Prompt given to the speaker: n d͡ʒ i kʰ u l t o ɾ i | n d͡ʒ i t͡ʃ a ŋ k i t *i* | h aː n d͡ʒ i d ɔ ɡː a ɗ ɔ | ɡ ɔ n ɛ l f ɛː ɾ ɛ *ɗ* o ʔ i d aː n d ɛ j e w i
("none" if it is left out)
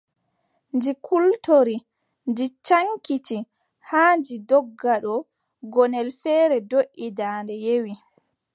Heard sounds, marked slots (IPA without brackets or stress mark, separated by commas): i, d